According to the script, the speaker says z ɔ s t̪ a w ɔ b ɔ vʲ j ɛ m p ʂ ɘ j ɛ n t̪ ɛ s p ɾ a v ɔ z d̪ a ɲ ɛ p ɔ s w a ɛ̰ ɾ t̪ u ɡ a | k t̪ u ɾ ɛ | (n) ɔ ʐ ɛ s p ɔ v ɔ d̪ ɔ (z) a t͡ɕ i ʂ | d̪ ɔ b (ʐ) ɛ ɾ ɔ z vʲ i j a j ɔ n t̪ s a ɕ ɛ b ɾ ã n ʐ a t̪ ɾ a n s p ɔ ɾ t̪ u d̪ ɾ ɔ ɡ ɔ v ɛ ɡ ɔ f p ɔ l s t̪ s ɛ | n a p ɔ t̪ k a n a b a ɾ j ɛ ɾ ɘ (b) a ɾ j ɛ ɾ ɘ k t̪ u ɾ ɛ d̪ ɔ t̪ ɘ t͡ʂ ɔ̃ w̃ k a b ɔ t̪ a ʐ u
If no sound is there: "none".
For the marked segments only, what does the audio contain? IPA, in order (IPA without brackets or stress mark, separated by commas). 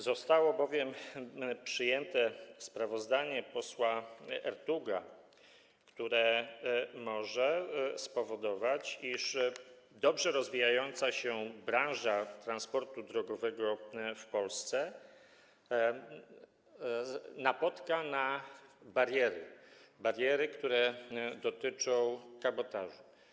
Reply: m, v, ʐ, b